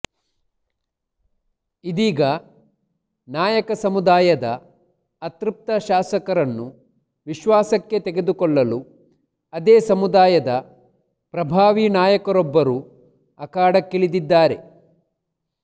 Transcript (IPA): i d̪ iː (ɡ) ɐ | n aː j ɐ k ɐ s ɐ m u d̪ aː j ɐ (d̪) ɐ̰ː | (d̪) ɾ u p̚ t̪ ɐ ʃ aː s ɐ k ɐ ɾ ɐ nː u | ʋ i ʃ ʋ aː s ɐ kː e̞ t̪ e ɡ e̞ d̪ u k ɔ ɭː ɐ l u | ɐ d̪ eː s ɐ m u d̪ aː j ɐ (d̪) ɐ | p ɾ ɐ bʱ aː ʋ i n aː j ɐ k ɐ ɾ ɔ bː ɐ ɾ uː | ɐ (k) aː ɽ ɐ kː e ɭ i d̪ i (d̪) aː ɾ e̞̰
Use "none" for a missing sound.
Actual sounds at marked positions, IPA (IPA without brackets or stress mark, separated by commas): ɡ, d̪, t̪, d̪, k, d̪ː